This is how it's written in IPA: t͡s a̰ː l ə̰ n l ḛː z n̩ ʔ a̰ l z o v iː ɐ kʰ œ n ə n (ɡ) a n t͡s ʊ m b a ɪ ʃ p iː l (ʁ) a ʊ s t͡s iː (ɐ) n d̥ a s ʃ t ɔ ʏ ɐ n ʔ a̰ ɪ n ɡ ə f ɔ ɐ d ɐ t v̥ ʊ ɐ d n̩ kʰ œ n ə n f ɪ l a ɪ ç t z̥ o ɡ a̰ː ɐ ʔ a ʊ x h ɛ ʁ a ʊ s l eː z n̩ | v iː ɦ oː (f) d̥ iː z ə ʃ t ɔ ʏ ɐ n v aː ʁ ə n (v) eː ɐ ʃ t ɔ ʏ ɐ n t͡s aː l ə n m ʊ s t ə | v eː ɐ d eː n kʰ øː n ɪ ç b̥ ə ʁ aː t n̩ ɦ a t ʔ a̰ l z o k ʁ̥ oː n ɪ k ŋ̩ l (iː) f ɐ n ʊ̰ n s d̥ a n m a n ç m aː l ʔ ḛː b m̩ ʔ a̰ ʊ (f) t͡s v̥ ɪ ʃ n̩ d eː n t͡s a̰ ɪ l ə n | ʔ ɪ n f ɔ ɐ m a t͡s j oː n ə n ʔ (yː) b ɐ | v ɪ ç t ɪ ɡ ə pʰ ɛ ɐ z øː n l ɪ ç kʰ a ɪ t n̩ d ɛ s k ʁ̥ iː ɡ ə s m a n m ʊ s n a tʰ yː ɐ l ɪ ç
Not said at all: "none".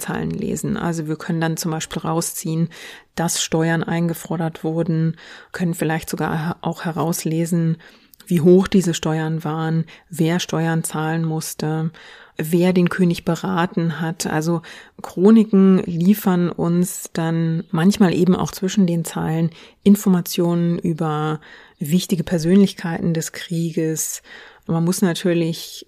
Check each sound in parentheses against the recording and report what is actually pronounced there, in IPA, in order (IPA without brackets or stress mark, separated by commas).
d, ʁ, ə, x, v, iː, x, yː